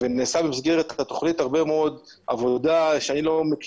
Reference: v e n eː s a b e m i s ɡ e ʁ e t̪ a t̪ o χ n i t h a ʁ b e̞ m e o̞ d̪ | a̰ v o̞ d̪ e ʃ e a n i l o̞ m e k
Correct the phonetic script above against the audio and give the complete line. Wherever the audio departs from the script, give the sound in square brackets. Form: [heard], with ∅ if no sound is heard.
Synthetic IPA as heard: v e n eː s a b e m i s ɡ e ʁ e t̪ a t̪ o χ n i t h a ʁ b e̞ m e o̞ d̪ | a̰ v o̞ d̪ [a] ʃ e a n i l o̞ m e k